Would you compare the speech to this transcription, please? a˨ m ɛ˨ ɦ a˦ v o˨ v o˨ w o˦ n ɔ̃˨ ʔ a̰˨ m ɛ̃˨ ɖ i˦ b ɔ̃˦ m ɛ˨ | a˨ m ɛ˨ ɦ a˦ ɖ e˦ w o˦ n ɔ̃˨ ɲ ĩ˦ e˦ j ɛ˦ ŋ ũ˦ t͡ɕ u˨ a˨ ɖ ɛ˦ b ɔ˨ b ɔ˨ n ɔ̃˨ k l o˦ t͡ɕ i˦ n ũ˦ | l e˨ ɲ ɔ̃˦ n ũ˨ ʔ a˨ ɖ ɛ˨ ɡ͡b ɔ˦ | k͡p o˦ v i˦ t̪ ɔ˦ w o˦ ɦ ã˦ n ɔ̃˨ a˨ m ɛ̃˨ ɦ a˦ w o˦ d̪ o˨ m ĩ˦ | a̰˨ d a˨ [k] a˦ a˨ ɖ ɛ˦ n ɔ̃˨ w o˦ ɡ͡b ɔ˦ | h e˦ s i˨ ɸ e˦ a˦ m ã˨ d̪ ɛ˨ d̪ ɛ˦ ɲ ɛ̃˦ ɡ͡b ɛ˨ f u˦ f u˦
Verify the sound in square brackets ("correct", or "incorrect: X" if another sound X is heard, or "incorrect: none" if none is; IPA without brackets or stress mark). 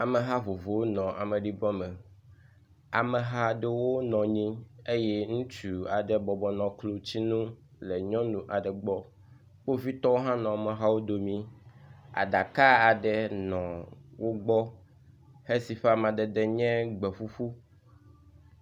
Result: correct